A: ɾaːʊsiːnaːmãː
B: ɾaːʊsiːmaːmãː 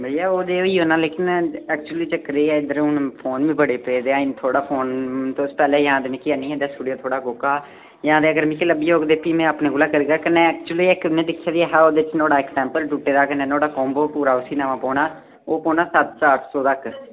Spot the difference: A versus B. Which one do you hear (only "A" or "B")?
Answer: A